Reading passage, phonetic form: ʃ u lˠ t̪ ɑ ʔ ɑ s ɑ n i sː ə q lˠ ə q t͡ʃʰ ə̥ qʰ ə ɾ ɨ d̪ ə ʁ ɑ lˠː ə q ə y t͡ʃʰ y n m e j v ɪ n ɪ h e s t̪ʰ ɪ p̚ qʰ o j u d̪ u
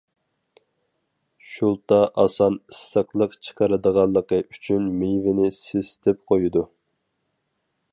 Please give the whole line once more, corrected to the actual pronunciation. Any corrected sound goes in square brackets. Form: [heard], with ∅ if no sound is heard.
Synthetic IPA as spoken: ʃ u lˠ t̪ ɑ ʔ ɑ s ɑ n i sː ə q lˠ ə q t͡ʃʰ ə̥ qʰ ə ɾ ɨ d̪ ə ʁ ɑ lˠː ə q ə y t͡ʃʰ y n m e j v ɪ n ɪ [s] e s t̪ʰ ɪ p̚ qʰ o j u d̪ u